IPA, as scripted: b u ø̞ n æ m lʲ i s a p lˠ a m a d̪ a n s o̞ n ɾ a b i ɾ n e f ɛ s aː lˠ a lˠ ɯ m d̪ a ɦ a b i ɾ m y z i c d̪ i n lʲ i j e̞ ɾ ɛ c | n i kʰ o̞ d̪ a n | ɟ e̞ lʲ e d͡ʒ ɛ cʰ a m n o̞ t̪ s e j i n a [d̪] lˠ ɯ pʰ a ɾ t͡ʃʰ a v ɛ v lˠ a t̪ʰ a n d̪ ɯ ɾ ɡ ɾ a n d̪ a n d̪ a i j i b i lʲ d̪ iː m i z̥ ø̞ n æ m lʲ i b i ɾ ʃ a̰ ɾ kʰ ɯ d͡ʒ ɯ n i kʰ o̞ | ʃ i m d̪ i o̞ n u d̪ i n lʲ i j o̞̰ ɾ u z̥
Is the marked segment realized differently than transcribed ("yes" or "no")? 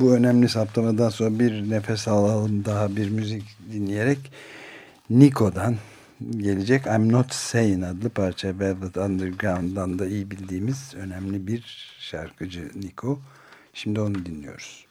no